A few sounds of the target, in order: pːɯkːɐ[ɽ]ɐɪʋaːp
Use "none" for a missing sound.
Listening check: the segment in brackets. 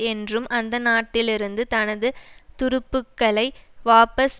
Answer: ɭ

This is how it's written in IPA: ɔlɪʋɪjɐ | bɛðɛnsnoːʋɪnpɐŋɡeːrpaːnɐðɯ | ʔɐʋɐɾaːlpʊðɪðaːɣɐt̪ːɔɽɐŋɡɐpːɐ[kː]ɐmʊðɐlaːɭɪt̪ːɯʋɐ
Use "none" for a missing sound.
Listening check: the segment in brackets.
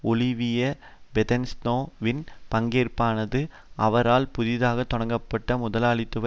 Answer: ʈː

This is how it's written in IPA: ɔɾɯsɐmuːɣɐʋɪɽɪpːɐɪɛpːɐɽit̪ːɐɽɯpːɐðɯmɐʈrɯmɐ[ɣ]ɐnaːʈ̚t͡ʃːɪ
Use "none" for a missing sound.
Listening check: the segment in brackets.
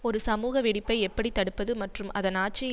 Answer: ð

